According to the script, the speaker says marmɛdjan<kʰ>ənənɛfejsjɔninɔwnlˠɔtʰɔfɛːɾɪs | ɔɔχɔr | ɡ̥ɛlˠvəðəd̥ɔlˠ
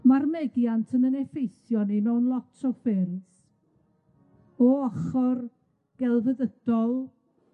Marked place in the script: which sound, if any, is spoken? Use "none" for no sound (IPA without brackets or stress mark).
tʰ